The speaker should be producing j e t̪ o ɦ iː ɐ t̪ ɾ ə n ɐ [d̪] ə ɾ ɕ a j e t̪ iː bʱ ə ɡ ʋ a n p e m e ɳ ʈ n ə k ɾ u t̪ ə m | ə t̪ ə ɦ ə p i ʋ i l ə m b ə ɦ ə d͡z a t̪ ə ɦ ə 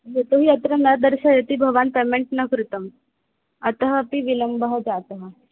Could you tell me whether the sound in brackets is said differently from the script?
no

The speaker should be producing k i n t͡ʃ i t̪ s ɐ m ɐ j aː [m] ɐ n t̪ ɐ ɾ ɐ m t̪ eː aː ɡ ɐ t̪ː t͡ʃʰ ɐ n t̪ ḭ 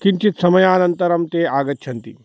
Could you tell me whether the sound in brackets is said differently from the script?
yes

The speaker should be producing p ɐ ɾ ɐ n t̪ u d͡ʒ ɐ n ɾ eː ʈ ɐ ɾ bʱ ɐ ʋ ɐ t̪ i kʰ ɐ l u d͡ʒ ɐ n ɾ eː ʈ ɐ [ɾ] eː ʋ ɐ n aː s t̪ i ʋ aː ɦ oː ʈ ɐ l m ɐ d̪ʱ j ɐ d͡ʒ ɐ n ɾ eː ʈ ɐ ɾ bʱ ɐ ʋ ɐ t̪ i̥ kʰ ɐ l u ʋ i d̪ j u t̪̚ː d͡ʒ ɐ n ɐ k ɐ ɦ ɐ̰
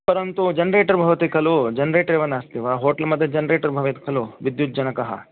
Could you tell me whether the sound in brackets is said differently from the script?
no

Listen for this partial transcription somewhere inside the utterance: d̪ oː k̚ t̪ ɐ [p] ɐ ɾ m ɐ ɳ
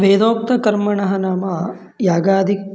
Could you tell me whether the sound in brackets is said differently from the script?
yes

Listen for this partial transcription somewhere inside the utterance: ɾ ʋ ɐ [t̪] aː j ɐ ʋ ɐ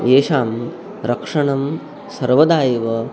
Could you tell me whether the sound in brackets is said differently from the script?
yes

